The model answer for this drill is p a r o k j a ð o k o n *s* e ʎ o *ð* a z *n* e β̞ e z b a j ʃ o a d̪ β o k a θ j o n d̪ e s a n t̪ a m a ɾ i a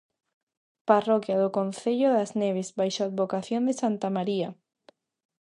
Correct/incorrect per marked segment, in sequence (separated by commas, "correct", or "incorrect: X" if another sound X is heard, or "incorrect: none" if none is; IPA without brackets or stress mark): incorrect: θ, correct, correct